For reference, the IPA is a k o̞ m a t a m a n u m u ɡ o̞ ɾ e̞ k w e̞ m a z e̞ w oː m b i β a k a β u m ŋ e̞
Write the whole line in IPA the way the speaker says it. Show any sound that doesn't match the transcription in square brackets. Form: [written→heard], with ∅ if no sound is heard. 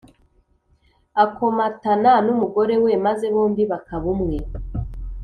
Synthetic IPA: a k o̞ m a t a [m→n] a n u m u ɡ o̞ ɾ e̞ [k→∅] w e̞ m a z e̞ [w→β] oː m b i β a k a β u m ŋ e̞